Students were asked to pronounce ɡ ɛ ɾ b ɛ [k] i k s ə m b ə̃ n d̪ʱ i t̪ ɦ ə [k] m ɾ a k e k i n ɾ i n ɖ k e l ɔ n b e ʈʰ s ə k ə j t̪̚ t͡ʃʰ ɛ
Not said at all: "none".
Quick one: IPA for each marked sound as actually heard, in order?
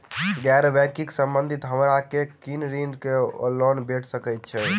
k, none

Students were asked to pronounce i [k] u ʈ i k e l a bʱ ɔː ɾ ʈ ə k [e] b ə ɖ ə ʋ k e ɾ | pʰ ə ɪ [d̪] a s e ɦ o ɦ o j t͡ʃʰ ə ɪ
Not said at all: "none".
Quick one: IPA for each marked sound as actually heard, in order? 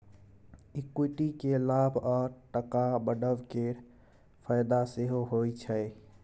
k, a, d̪

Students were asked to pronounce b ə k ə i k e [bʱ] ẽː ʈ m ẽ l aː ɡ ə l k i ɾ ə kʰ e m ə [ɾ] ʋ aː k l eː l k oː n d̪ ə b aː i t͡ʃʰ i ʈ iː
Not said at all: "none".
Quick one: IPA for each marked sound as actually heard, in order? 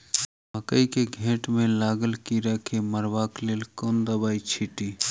ɡʱ, ɾ

